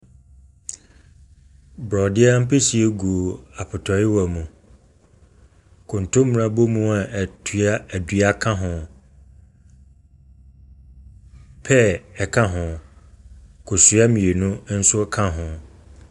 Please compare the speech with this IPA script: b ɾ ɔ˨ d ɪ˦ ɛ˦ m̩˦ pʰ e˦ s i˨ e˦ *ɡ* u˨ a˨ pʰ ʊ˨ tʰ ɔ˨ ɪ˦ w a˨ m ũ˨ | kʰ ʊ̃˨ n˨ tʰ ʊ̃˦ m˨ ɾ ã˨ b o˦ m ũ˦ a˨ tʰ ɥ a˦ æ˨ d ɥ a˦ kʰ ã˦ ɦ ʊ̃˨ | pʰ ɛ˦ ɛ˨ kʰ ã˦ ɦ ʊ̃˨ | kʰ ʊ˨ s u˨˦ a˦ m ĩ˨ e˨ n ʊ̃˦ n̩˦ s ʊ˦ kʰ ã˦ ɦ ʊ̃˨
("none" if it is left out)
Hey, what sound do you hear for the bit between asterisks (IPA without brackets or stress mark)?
ɡ